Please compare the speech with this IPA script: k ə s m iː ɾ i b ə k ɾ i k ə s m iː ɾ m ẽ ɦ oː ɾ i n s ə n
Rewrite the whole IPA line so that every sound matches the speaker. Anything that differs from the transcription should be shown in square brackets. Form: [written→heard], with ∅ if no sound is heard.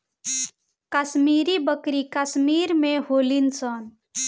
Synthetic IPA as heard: k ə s m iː ɾ i b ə k ɾ i k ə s m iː ɾ m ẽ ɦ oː [ɾ→l] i n s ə n